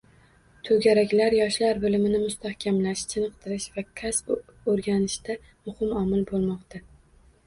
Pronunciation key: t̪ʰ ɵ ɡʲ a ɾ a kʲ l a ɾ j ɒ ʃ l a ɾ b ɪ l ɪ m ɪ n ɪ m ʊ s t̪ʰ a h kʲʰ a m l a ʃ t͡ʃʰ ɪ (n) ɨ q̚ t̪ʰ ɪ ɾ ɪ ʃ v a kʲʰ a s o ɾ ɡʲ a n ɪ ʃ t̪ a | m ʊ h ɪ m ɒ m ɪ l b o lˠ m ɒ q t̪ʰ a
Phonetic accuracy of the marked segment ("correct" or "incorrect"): correct